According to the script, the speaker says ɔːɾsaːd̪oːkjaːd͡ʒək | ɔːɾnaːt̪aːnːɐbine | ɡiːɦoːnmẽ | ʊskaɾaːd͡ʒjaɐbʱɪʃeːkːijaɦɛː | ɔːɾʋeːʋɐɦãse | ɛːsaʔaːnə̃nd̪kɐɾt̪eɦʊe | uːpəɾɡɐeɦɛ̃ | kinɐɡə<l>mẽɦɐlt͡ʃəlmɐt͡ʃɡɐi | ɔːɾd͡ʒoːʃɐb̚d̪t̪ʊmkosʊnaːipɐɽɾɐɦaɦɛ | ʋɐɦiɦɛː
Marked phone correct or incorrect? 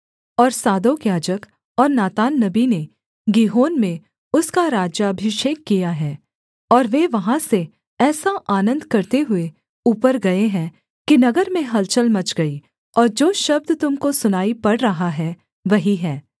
incorrect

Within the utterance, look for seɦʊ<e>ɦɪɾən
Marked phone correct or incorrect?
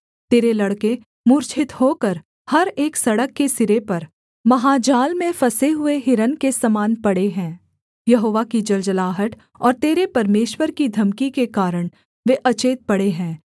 correct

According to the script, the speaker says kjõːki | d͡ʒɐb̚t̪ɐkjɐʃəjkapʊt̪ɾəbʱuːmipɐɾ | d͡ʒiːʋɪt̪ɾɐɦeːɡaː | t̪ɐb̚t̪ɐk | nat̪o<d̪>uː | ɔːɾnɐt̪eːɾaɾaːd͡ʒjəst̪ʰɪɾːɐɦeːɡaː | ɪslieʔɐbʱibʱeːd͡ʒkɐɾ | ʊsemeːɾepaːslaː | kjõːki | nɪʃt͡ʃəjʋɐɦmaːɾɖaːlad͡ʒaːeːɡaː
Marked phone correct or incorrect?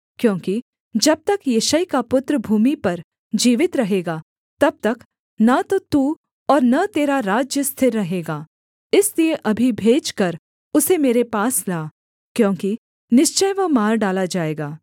incorrect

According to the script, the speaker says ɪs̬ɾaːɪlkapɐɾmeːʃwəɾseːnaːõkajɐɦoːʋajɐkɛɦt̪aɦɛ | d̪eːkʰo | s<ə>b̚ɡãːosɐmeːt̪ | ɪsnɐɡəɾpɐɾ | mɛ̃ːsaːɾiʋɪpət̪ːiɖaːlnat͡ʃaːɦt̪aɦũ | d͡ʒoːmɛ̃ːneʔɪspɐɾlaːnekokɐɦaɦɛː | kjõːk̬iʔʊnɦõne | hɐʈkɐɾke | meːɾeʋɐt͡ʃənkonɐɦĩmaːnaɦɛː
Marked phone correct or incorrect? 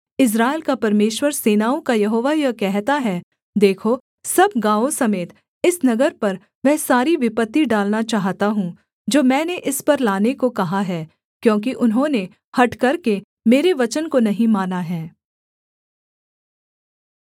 incorrect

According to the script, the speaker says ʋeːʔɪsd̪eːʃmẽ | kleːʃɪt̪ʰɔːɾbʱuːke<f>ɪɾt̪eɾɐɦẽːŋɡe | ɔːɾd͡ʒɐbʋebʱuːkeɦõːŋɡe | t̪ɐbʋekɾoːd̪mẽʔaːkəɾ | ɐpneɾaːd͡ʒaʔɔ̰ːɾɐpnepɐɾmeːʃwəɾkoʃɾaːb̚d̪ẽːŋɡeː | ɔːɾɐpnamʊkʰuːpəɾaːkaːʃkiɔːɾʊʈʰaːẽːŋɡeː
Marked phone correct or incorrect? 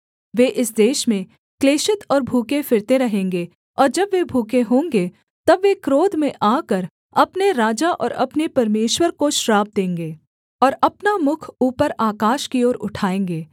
correct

